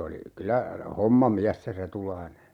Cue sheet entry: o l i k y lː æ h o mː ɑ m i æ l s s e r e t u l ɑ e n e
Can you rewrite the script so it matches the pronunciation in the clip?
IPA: o l i k y l æ h o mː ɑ m i æ s s e r e t u l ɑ i n e